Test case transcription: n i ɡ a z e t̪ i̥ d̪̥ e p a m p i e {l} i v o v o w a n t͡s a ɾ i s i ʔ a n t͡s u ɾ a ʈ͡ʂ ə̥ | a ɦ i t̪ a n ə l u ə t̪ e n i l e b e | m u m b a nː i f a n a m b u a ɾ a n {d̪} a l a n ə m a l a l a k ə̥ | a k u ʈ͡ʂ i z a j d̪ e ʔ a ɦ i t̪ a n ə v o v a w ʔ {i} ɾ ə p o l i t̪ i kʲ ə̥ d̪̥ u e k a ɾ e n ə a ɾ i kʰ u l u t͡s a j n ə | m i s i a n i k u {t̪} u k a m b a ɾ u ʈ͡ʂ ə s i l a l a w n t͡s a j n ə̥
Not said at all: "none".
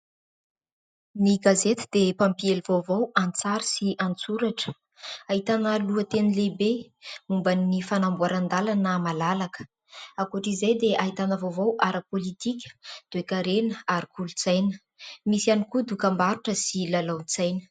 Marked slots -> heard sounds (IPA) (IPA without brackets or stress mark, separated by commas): l, d̪, a, d̪